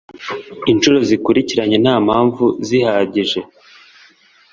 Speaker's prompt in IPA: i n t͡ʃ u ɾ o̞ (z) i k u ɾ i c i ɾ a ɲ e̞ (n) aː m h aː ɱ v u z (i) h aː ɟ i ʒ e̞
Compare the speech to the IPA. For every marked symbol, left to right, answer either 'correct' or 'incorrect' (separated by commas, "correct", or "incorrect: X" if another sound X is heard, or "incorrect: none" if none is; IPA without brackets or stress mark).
correct, correct, correct